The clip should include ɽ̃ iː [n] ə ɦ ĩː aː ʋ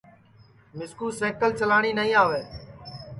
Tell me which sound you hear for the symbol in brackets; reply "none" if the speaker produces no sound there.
n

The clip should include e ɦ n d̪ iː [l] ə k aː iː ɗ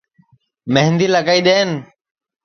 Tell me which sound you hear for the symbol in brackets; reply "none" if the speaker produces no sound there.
l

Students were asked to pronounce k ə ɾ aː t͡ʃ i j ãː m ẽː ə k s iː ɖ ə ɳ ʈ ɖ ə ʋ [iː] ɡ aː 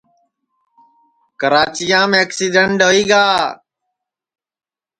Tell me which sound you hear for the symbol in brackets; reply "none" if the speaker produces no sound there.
iː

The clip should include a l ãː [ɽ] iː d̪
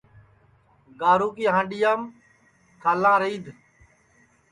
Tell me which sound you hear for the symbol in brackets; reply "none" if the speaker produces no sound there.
ɾ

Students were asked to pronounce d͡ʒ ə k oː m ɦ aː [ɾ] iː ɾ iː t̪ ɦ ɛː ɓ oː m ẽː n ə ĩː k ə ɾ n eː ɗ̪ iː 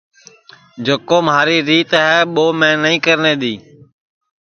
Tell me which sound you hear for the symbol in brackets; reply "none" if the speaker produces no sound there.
ɾ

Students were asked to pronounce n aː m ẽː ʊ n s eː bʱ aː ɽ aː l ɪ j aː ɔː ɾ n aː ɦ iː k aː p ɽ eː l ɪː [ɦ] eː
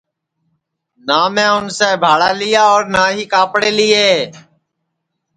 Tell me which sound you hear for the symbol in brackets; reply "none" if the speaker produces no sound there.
none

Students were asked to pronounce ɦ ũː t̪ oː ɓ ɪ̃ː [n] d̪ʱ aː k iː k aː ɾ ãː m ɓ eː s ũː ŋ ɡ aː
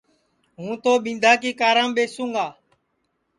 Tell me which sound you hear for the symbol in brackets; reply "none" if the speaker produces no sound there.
n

